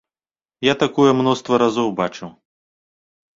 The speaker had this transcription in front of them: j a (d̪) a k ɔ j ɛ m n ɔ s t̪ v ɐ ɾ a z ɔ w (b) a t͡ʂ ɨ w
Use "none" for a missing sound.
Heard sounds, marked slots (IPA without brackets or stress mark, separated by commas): t̪, b